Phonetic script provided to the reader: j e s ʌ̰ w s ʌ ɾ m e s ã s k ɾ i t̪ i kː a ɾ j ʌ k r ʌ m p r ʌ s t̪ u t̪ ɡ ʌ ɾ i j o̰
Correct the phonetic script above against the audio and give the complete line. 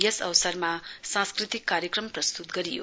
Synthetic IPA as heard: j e s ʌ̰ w s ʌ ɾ m a s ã s k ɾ i t̪ i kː a ɾ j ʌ k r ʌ m p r ʌ s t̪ u t̪ ɡ ʌ ɾ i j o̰